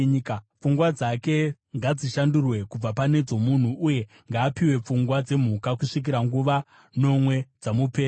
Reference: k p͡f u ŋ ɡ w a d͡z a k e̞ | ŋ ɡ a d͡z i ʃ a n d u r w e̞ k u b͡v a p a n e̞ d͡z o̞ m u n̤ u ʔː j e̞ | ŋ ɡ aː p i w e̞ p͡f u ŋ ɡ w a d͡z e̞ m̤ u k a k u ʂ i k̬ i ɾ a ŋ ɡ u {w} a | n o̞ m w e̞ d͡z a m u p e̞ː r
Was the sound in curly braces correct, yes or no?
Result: no